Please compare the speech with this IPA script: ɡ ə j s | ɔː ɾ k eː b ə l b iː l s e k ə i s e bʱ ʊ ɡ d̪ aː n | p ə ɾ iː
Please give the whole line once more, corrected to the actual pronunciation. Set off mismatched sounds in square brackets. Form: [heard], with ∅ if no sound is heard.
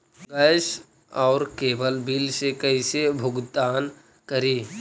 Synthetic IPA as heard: ɡ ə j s | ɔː ɾ k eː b ə l b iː l s e k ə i s e bʱ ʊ ɡ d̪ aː n | [k] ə ɾ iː